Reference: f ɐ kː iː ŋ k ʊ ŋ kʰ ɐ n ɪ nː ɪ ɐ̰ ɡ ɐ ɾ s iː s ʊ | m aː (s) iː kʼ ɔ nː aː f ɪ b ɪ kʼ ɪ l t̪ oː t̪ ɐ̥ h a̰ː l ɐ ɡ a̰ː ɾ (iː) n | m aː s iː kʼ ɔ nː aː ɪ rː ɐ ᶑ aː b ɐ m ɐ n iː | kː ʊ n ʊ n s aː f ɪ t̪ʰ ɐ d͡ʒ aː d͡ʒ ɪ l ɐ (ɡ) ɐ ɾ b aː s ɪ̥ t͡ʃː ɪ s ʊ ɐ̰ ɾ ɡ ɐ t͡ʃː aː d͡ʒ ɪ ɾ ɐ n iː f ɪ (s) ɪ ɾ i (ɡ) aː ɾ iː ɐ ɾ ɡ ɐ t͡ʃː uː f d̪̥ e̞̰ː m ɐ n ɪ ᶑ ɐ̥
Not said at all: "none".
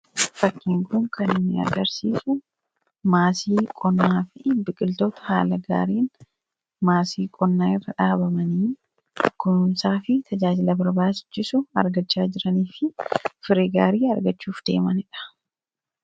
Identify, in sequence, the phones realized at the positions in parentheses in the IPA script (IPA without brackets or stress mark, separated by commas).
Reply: s, iː, b, f, ɡ